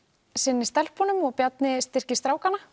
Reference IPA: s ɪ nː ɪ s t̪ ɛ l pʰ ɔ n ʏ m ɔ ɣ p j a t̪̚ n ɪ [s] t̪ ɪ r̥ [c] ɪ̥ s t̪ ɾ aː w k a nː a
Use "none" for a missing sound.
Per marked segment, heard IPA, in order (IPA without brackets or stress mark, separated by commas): s, c